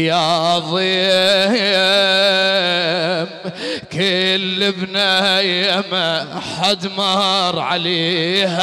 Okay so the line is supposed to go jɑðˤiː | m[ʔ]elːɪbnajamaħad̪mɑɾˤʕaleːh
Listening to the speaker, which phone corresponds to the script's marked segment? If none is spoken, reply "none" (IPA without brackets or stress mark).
k